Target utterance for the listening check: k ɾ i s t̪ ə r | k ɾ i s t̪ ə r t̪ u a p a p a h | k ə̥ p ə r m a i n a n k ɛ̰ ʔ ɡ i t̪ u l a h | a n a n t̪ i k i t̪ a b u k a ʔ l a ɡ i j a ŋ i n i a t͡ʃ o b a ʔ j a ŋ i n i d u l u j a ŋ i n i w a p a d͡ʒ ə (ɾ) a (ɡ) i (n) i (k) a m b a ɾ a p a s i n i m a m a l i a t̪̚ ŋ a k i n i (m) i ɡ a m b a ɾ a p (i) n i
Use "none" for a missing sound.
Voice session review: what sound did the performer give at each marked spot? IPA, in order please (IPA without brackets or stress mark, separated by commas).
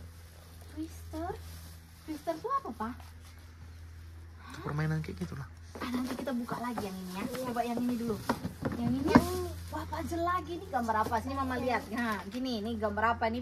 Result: l, ɡ, n, ɡ, n, a